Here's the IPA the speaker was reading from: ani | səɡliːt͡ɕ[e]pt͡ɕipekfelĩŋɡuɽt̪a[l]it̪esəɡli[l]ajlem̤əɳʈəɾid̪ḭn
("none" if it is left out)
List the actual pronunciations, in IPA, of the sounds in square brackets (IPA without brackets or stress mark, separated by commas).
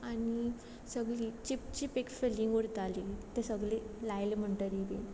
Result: i, l, l